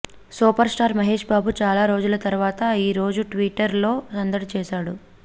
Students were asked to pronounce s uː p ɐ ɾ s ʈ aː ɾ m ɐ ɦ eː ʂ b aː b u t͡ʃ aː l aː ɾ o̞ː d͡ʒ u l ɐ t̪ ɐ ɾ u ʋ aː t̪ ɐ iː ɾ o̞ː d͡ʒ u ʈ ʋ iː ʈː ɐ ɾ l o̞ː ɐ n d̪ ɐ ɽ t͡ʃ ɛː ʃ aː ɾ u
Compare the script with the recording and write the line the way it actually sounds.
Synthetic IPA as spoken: s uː p ɐ ɾ s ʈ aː ɾ m ɐ ɦ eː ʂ b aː b u t͡ʃ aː l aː ɾ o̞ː d͡ʒ u l ɐ t̪ ɐ ɾ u ʋ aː t̪ ɐ iː ɾ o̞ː d͡ʒ u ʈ ʋ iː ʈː ɐ ɾ l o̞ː ɐ n d̪ ɐ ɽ t͡ʃ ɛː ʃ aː ɽ u